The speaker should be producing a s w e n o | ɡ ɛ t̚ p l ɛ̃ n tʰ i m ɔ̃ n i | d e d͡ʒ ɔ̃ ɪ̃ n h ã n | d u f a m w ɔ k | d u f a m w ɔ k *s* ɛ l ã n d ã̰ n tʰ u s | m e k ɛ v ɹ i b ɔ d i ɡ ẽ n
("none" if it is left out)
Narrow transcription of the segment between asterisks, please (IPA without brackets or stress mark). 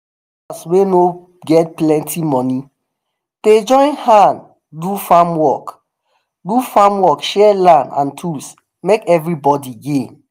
ʃ